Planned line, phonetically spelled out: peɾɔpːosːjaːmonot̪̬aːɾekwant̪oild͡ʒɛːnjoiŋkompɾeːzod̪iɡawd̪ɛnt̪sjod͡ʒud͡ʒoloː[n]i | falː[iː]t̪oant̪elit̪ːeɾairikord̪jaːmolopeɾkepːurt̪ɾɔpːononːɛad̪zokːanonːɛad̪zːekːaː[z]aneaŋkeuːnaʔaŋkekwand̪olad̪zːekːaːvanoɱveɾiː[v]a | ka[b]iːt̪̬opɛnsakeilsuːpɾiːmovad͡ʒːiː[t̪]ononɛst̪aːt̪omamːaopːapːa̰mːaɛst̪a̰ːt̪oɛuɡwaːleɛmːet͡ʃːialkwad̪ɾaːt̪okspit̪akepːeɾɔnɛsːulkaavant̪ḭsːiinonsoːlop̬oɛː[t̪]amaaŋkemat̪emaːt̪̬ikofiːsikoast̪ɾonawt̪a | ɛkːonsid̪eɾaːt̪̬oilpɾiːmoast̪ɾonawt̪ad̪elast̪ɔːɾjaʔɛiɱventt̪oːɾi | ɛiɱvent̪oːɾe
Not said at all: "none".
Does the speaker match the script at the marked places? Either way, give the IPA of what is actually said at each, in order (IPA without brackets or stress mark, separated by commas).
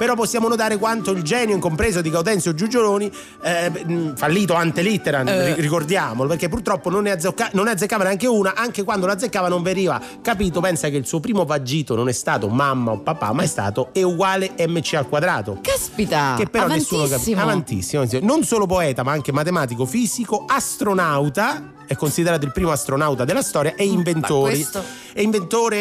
n, iː, v, v, p, t̪, t̪